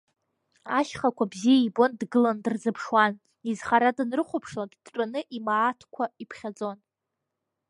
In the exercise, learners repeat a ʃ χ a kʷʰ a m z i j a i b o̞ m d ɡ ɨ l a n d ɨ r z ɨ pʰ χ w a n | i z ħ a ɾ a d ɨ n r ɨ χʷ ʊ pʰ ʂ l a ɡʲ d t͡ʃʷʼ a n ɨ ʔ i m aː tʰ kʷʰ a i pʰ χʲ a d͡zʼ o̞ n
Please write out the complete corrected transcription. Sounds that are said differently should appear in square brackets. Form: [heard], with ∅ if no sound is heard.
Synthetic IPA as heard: a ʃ χ a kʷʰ a [b] z i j a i b o̞ [n] d ɡ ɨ l a n d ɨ r z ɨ pʰ [ʂ] w a n | i z [χ] a ɾ a d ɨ n r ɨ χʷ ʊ pʰ ʂ l a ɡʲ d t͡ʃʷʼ a n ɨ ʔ i m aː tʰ kʷʰ a i pʰ χʲ a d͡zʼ o̞ n